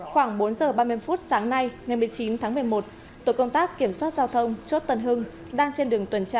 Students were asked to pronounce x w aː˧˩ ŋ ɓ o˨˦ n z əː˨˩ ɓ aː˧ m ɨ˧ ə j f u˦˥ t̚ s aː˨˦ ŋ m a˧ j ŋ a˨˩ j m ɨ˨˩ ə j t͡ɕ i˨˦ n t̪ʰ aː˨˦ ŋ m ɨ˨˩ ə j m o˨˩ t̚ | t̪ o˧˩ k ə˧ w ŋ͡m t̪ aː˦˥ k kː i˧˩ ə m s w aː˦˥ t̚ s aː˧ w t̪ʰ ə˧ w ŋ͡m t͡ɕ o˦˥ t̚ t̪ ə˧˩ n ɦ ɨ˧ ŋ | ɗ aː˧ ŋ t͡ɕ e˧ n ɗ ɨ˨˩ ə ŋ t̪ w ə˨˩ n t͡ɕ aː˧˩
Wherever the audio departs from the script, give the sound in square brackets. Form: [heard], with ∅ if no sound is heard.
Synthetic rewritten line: x w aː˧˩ ŋ ɓ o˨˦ n z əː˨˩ ɓ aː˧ m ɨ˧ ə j f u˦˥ t̚ s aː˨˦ ŋ [n] a˧ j ŋ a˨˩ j m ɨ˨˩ ə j t͡ɕ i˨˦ n t̪ʰ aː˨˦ ŋ m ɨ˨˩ ə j m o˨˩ t̚ | t̪ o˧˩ k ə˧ w ŋ͡m t̪ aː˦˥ k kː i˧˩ ə m s w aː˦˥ t̚ [z] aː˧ w t̪ʰ ə˧ w ŋ͡m t͡ɕ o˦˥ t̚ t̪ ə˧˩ n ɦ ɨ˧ ŋ | ɗ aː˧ ŋ t͡ɕ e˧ n ɗ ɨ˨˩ ə ŋ t̪ w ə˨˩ n t͡ɕ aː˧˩